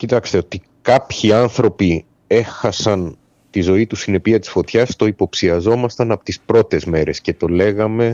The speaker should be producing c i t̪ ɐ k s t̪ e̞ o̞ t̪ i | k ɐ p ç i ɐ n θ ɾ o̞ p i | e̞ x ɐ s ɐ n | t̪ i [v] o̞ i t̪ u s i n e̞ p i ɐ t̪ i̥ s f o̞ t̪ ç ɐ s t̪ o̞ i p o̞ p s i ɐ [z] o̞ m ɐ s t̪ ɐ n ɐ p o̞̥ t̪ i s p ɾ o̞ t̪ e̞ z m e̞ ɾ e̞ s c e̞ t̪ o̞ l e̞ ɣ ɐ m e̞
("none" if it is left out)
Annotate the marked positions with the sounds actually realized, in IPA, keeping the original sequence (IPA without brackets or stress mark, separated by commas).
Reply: z, z